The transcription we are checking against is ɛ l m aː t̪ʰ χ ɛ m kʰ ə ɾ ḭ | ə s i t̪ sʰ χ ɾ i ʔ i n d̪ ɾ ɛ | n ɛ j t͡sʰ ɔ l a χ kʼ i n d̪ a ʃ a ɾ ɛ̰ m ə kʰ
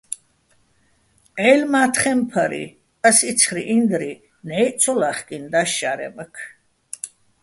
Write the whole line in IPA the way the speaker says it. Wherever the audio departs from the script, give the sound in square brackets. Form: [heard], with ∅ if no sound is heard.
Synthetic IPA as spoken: ɛ l m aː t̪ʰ χ ɛ m [pʰ] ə ɾ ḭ | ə s i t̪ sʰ χ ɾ i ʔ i n d̪ ɾ [i] | n ɛ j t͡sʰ ɔ l a χ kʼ i n d̪ a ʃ a ɾ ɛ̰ m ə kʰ